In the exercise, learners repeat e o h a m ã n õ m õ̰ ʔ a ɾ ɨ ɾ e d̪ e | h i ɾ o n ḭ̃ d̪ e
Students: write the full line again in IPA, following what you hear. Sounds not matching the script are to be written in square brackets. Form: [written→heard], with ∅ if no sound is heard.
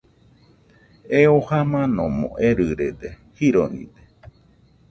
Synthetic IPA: e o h a m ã n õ m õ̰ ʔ [a→e] ɾ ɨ ɾ e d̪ e | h i ɾ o n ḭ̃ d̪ e